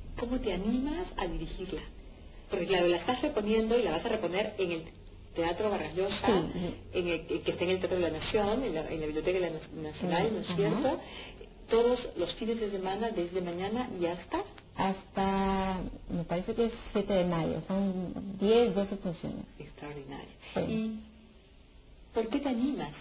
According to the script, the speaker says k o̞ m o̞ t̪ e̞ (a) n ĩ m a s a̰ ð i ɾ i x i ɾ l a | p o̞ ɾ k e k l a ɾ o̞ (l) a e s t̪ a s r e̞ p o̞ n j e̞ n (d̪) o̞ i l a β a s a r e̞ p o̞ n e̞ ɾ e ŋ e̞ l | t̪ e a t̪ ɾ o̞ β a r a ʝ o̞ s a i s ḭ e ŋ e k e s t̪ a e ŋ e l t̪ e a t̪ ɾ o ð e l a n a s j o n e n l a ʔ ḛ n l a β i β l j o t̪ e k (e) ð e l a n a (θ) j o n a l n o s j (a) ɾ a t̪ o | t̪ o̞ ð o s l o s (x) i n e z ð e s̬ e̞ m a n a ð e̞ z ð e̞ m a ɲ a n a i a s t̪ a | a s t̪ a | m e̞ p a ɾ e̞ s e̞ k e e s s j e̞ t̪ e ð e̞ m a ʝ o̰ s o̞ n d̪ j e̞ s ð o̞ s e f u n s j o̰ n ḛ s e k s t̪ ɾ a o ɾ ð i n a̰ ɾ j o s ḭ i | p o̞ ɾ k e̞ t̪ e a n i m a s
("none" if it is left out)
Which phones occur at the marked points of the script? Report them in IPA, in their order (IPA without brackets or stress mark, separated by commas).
a, l, d̪, a, s, e, f